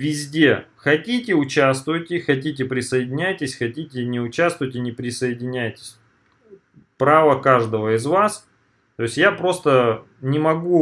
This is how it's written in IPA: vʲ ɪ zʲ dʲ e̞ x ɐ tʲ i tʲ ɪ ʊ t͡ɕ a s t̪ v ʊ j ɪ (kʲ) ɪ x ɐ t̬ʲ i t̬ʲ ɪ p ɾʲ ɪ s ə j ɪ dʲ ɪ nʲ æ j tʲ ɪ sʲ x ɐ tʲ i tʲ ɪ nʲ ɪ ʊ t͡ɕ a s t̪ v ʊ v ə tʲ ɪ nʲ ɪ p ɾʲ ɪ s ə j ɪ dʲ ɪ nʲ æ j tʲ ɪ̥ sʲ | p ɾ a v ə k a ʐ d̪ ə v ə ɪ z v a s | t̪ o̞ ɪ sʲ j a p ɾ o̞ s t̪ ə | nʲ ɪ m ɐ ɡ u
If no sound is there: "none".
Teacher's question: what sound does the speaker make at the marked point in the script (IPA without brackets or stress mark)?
tʲ